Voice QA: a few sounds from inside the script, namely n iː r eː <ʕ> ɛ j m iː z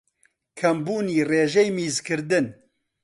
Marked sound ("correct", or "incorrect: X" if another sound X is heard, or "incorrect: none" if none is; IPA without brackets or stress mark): incorrect: ʒ